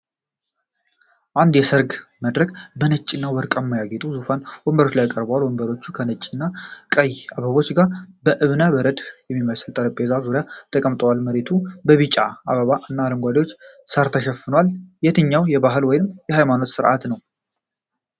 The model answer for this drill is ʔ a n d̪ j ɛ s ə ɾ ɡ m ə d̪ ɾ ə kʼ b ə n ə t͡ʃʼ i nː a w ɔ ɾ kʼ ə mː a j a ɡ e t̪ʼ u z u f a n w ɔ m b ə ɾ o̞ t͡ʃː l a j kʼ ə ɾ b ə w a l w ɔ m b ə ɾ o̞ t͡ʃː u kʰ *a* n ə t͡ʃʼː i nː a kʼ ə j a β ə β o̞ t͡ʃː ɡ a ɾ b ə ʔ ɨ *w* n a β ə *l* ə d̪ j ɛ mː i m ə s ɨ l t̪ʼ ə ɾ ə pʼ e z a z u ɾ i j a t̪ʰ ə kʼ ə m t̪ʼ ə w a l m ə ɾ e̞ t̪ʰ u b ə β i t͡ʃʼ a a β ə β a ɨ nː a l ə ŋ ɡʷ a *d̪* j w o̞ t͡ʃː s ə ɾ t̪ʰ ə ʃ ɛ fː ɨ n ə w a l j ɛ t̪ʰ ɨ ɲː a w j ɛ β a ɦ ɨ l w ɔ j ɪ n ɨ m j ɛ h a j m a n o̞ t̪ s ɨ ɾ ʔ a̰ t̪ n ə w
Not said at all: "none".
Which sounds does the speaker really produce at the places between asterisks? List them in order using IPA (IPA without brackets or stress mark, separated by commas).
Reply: ə, β, ɾ, d̪